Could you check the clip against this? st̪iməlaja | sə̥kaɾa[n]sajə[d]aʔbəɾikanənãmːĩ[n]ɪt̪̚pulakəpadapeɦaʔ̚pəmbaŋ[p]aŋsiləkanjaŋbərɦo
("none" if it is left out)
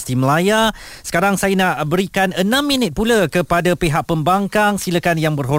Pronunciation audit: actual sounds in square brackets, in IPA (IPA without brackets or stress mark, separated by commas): ŋ, n, n, k